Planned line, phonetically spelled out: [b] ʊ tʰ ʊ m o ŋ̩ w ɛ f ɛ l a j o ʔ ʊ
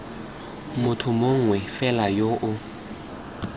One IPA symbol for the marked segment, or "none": m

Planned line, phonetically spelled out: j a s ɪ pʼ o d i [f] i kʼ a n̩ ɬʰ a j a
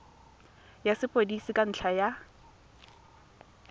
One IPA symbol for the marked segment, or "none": s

